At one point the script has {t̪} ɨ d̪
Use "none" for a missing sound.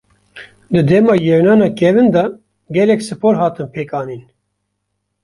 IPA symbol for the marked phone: d̪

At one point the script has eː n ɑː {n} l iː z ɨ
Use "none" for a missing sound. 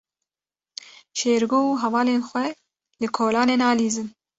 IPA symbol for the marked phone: none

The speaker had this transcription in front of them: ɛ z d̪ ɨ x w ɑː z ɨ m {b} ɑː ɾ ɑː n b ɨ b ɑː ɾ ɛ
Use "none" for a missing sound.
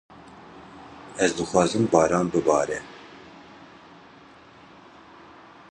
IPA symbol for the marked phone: b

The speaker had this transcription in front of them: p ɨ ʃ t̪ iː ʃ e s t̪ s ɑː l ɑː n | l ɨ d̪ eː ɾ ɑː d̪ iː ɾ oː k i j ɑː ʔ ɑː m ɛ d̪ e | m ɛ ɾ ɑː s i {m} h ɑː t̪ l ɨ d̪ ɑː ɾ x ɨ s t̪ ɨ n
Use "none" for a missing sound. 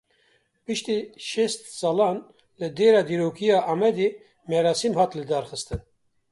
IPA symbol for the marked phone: m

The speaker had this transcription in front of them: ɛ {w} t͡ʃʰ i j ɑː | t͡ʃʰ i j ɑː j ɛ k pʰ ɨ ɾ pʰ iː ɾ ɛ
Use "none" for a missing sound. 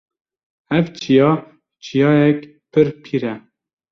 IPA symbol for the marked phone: v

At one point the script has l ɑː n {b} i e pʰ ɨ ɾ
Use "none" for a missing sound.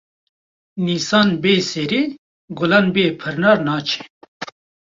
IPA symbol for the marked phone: b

